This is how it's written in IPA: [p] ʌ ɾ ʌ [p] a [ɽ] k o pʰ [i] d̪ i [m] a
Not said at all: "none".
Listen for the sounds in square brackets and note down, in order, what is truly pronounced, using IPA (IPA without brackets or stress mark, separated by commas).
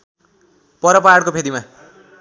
p, p, ɽ, e, m